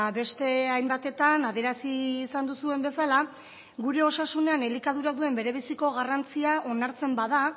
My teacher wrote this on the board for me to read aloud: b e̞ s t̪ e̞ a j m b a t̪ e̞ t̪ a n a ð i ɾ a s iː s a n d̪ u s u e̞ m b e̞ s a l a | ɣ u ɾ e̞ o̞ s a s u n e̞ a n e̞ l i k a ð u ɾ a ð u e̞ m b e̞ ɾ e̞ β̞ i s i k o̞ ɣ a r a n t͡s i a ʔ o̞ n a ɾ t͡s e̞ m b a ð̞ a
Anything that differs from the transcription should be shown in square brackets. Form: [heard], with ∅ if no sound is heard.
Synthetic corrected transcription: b e̞ s t̪ e̞ a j m b a t̪ e̞ t̪ a n a ð [e] ɾ a s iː s a n d̪ u s u e̞ m b e̞ s a l a | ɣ u ɾ e̞ o̞ s a s u n e̞ a n e̞ l i k a ð u ɾ a ð u e̞ m b e̞ ɾ e̞ β̞ i s i k o̞ ɣ a r a n t͡s i a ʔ o̞ n a ɾ t͡s e̞ m b a ð̞ a